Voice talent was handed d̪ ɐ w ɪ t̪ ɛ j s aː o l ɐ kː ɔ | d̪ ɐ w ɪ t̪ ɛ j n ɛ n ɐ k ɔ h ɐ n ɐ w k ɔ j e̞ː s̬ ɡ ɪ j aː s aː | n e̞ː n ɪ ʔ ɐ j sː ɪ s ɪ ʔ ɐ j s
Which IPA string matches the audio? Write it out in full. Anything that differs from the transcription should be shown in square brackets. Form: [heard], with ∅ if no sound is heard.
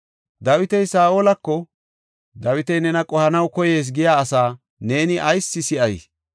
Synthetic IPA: d̪ ɐ w ɪ t̪ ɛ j s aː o l ɐ kː ɔ | d̪ ɐ w ɪ t̪ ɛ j n ɛ n ɐ [kʼ] ɔ h ɐ n ɐ w k ɔ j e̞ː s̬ ɡ ɪ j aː s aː | n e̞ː n ɪ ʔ ɐ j sː ɪ s ɪ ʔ ɐ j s